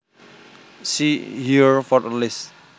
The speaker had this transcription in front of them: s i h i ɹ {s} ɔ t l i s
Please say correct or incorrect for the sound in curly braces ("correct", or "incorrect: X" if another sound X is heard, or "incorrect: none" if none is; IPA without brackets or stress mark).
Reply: incorrect: f